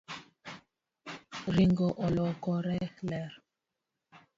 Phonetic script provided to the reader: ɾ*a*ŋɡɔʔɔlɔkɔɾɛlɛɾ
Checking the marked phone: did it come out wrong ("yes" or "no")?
yes